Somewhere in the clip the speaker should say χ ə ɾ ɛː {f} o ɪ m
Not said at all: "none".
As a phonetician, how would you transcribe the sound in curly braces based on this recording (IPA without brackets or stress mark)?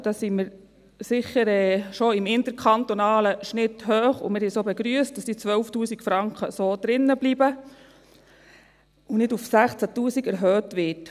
ʃ